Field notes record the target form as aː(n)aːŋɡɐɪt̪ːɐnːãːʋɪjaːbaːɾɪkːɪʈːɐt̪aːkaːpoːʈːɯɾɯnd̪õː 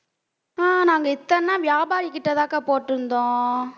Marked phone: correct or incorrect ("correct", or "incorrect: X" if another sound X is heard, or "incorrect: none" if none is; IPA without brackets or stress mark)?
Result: correct